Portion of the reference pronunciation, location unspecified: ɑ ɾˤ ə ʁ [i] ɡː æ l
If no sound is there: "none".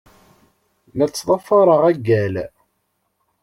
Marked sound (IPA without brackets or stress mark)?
æ